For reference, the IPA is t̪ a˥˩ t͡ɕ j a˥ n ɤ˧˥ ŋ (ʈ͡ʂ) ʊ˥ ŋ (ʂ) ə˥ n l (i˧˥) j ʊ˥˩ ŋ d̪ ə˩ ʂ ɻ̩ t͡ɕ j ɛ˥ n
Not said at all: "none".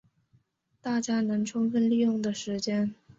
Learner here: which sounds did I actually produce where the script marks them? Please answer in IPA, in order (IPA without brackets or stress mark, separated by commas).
ʈ͡ʂʰ, f, i˥˧